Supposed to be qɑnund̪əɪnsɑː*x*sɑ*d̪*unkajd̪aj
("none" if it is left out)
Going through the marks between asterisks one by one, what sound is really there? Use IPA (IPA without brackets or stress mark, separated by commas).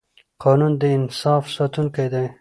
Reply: f, t̪